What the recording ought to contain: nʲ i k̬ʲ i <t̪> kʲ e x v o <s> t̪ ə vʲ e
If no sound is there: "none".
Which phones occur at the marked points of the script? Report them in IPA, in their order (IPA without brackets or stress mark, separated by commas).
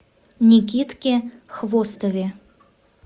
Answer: t̪, s